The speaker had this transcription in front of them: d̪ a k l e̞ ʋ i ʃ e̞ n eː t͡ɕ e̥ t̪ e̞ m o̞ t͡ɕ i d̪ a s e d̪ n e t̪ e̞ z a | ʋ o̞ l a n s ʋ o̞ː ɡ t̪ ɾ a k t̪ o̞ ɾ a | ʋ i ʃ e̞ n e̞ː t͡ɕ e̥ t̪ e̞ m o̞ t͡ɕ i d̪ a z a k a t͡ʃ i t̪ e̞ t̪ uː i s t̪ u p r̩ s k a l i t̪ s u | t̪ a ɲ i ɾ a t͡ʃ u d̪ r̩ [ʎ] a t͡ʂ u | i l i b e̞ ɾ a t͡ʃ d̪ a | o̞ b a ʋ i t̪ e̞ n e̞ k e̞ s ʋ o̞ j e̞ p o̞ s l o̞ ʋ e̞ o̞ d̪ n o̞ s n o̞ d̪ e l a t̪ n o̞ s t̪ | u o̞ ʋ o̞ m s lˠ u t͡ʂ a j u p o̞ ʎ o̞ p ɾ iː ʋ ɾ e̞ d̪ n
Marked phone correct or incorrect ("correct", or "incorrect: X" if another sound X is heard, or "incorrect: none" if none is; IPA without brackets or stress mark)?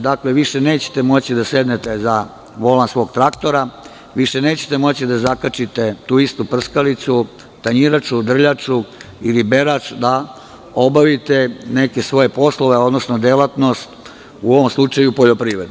correct